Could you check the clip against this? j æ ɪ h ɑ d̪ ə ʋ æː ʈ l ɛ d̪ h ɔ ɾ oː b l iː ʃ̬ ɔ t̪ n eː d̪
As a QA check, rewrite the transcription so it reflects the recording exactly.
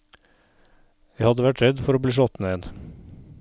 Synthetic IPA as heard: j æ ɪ h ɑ d̪ ə ʋ æ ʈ ɾ ɛ d̪ f ɔ ɾ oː b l iː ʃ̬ ɔ t̪ n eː d̪